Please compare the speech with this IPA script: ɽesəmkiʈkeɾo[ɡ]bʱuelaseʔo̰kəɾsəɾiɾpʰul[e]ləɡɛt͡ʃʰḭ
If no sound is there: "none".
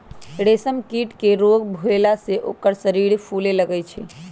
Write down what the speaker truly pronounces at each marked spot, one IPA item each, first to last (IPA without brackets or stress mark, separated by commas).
ɡ, e